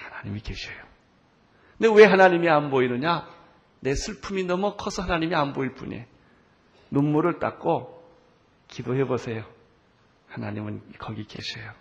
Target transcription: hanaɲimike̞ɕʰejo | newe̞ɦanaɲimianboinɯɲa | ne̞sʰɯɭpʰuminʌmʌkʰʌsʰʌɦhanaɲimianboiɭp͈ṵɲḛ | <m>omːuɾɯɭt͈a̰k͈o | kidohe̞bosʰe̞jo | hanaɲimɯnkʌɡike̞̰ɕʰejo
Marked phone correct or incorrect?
incorrect